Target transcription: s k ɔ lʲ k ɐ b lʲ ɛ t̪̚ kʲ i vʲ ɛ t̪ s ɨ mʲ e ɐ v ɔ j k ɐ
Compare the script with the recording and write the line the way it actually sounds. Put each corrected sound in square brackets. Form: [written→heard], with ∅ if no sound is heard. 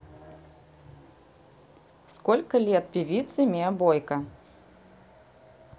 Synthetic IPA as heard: s k ɔ lʲ k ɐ [b→∅] lʲ ɛ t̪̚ [kʲ→pʲ] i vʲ [ɛ→i] t̪ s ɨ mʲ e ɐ [v→b] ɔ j k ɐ